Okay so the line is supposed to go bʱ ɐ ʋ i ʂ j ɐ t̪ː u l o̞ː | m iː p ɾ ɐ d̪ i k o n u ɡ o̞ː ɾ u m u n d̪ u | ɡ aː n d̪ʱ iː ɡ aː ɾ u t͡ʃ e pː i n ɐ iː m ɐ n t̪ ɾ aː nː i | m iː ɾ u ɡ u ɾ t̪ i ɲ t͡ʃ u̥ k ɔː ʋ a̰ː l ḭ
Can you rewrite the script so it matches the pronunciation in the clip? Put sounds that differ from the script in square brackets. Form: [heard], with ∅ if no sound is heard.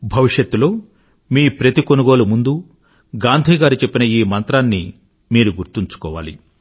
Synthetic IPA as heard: bʱ ɐ ʋ i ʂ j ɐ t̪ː u l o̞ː | m iː p ɾ ɐ [t̪] i k o n u ɡ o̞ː [l] u m u n d̪ u | ɡ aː n d̪ʱ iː ɡ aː ɾ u t͡ʃ e pː i n ɐ iː m ɐ n t̪ ɾ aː nː i | m iː ɾ u ɡ u ɾ t̪ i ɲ t͡ʃ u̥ k ɔː ʋ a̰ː l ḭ